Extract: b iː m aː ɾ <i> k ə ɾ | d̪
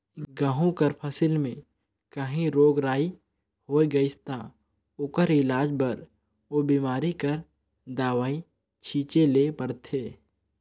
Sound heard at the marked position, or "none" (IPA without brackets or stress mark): i